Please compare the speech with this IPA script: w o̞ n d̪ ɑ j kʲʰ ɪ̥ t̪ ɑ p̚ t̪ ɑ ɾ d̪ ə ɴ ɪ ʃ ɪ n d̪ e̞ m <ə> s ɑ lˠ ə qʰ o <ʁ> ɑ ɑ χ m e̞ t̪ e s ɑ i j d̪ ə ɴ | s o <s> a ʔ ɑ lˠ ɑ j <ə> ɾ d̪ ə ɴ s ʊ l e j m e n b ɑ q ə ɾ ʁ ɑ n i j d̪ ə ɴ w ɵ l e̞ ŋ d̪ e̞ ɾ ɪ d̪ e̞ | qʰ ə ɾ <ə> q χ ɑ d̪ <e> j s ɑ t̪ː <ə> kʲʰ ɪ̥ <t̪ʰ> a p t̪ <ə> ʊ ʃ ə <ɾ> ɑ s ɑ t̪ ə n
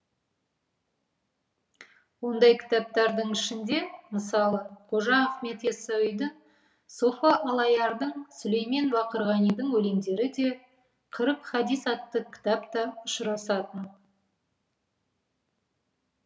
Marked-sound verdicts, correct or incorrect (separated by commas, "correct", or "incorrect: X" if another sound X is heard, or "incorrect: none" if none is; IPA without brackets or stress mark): correct, incorrect: ʒ, incorrect: f, incorrect: ɑ, correct, incorrect: i, correct, incorrect: t̪, incorrect: ɑ, correct